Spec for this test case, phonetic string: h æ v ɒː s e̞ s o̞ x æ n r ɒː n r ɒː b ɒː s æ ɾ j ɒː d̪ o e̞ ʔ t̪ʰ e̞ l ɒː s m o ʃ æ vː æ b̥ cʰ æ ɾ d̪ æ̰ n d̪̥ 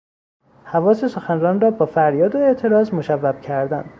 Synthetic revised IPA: h æ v ɒː s e̞ s o̞ x æ n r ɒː n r ɒː b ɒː f æ ɾ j ɒː d̪ o e̞ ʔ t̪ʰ e̞ ɾ ɒː z m o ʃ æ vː æ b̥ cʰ æ ɾ d̪ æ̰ n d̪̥